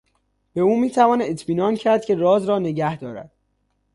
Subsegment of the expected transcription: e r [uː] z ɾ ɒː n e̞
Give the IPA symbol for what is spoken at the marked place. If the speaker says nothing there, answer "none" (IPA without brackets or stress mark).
ɒː